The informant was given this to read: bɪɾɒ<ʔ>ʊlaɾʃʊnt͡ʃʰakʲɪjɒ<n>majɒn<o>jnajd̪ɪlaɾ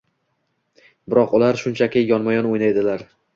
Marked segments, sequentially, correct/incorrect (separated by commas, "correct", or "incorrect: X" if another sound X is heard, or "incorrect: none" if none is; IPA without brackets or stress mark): incorrect: q, correct, correct